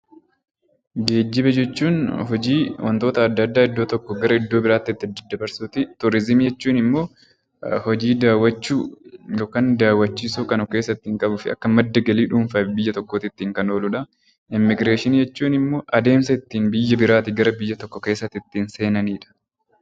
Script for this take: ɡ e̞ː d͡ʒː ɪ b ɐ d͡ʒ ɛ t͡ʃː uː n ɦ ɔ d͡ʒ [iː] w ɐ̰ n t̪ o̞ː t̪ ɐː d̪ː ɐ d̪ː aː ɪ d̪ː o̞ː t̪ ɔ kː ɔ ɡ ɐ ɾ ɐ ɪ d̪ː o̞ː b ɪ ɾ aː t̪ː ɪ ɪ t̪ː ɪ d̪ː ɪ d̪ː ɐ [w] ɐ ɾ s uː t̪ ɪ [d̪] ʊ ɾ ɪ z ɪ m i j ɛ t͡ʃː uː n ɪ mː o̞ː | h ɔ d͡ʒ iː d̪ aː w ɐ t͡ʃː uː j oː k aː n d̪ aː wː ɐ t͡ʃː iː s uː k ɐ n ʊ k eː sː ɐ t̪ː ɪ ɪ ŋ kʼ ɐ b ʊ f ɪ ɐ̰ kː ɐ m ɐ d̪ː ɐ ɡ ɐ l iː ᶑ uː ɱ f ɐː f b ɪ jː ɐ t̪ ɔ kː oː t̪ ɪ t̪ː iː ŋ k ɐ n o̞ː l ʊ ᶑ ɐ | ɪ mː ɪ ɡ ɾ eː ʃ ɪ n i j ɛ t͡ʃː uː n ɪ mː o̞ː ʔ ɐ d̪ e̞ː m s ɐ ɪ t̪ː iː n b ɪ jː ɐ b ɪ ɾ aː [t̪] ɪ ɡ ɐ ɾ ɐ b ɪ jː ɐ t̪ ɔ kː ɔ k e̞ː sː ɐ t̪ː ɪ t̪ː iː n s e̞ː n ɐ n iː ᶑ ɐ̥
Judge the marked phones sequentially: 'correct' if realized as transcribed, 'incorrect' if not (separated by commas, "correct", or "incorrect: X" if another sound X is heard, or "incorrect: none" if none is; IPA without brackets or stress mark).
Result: correct, incorrect: b, incorrect: t̪, correct